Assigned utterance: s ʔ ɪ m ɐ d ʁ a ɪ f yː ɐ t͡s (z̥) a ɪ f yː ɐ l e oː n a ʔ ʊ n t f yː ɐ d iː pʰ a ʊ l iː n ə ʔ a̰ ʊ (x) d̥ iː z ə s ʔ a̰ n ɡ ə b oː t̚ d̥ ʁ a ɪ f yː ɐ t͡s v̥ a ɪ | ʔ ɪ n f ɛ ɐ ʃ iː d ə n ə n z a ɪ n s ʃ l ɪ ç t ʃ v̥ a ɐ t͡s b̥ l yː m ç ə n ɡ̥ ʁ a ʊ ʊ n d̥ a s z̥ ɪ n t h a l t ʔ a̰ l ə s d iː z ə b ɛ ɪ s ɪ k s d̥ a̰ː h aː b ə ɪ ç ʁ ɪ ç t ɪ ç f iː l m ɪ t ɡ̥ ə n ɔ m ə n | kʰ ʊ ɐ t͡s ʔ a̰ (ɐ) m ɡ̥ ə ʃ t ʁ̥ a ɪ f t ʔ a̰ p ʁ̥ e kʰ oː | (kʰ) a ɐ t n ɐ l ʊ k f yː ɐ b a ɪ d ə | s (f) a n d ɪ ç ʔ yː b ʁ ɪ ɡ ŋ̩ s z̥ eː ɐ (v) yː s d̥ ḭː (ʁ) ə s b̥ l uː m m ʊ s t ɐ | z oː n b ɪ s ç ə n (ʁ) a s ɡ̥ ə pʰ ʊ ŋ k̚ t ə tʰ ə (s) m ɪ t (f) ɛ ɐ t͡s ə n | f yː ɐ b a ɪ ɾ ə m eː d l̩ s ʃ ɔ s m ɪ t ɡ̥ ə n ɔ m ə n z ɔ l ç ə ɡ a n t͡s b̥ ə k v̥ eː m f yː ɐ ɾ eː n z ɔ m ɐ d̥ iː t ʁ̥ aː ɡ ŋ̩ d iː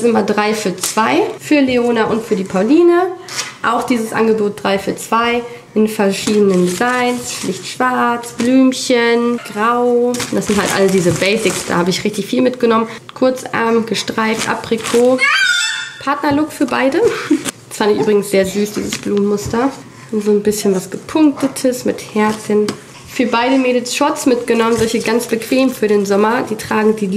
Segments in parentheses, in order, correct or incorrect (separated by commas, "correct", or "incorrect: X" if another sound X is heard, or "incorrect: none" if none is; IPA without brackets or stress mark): incorrect: v̥, correct, correct, incorrect: pʰ, correct, incorrect: z, incorrect: z, incorrect: v, correct, incorrect: h